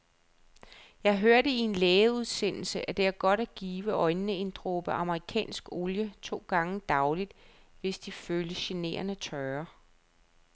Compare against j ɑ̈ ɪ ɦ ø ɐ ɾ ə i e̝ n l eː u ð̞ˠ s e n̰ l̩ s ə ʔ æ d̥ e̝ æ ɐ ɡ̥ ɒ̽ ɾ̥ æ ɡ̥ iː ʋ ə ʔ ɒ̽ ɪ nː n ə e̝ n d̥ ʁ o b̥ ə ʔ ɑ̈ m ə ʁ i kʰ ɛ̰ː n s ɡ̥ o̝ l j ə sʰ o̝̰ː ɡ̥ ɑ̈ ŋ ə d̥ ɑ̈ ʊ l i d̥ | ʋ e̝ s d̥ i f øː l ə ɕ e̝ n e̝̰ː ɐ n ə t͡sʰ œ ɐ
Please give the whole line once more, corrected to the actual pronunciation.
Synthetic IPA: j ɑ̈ ɪ ɦ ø ɐ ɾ ə i e̝ n l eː u ð̞ˠ s e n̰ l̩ s ə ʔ æ d̥ e̝ æ ɐ ɡ̥ ɒ̽ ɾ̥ æ ɡ̥ iː ʋ ə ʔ ɒ̽ ɪ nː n ə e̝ n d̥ ʁ o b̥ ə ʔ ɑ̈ m ə ʁ i kʰ ɛ̰ː n s ɡ̥ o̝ l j ə t͡sʰ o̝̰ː ɡ̥ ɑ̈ ŋ ə d̥ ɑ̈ ʊ l i d̥ | ʋ e̝ s d̥ i f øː l ə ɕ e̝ n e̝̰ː ɐ n ə t͡sʰ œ ɐ

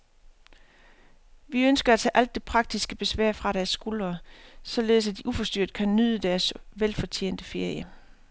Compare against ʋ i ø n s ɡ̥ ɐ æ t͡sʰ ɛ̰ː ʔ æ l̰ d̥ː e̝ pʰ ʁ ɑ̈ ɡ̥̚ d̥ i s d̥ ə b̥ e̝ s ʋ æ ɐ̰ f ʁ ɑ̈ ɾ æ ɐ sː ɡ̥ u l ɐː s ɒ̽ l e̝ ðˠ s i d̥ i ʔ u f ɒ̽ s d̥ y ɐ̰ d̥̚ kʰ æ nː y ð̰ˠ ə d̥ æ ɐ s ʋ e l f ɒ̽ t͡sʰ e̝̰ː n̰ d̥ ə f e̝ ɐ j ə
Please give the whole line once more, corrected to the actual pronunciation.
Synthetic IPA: ʋ i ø n s ɡ̥ ɐ æ t͡sʰ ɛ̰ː ʔ æ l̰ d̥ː e̝ pʰ ʁ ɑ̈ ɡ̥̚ d̥ i s ɡ̥ ə b̥ e̝ s ʋ æ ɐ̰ f ʁ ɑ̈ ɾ æ ɐ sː ɡ̥ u l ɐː s ɒ̽ l e̝ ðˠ s æ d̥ i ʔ u f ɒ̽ s d̥ y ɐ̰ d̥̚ kʰ æ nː y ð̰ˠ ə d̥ æ ɐ s ʋ e l f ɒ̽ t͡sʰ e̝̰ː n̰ d̥ ə f e̝ ɐ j ə

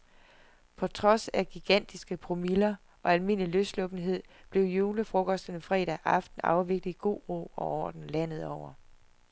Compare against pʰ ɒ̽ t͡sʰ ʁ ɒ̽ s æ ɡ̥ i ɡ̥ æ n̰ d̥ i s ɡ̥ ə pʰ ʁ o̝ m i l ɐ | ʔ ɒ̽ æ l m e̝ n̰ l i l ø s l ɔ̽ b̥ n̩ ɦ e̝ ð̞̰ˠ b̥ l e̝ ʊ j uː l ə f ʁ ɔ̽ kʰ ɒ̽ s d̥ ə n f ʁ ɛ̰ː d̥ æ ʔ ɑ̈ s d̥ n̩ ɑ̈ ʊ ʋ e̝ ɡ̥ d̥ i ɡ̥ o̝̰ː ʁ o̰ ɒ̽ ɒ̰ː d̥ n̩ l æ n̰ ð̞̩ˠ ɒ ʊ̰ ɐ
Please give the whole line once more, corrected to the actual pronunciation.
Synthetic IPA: pʰ ɒ̽ t͡sʰ ʁ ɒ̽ s æ ɡ̥ i ɡ̥ æ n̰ d̥ i s ɡ̥ ə pʰ ʁ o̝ m i l ɐ | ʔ ɒ̽ æ l m e̝ n̰ l i l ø s l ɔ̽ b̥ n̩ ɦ e̝ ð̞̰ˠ b̥ l e̝ ʊ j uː l ə f ʁ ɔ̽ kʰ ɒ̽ s d̥ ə n f ʁ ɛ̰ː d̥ æ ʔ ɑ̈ f d̥ n̩ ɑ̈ ʊ ʋ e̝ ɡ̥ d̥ i ɡ̥ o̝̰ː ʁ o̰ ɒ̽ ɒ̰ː d̥ n̩ l æ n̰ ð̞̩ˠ ɒ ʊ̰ ɐ

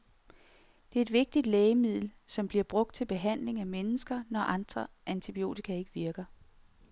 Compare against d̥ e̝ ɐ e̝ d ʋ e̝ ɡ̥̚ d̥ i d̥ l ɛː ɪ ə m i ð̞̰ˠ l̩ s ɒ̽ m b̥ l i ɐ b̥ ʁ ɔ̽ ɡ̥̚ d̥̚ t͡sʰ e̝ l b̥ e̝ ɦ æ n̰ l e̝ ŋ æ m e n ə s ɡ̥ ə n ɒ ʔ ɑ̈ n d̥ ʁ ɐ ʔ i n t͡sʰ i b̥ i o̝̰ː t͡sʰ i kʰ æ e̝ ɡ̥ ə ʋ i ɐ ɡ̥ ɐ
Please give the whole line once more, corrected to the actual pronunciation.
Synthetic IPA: d̥ e̝ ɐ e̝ d ʋ e̝ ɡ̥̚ d̥ i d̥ l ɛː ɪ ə m i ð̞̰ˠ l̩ s ɒ̽ m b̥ l i ɐ b̥ ʁ ɔ̽ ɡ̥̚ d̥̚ t͡sʰ e̝ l b̥ e̝ ɦ æ n̰ l e̝ ŋ æ m e n ə s ɡ̥ ɐ n ɒ ʔ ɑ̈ n d̥ ʁ ɐ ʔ æ n t͡sʰ i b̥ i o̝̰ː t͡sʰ i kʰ æ e̝ ɡ̥ ə ʋ i ɐ ɡ̥ ɐ

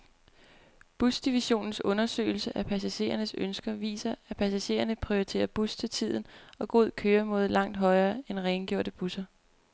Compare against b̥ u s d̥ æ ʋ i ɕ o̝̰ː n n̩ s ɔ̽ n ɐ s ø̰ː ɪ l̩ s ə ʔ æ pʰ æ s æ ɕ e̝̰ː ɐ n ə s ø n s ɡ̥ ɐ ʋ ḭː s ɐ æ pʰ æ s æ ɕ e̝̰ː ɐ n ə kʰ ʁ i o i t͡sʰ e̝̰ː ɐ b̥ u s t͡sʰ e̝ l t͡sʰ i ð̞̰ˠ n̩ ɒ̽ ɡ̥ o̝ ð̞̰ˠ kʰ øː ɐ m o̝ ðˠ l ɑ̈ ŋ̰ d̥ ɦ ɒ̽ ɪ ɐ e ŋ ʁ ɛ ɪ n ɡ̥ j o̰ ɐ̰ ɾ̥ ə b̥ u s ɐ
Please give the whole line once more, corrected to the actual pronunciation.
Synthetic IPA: b̥ u s d̥ i ʋ i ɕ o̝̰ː n n̩ s ɔ̽ n ɐ s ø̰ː ɪ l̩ s ə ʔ æ pʰ æ s æ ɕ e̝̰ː ɐ n ə s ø n s ɡ̥ ɐ ʋ ḭː s ɐ æ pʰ æ s æ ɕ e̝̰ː ɐ n ə pʰ ʁ i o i t͡sʰ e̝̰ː ɐ b̥ u s t͡sʰ e̝ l t͡sʰ i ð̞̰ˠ n̩ ɒ̽ ɡ̥ o̝ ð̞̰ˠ kʰ øː ɐ m o̝ ðˠ l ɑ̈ ŋ̰ d̥ ɦ ɒ̽ ɪ ɐː e n ʁ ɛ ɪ n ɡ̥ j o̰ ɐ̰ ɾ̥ ə b̥ u s ɐ

